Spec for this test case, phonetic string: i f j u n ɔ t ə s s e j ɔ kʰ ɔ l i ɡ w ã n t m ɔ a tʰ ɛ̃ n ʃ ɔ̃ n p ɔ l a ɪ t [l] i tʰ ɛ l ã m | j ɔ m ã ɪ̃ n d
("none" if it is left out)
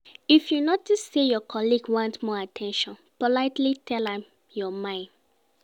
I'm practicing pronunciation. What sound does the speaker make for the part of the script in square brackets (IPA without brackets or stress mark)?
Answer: l